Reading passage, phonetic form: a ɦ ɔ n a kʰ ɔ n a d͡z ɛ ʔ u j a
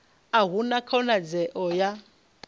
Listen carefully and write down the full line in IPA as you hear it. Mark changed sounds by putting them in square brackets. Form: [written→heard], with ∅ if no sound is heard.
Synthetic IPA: a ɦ [ɔ→u] n a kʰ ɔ n a d͡z ɛ ʔ [u→ɔ] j a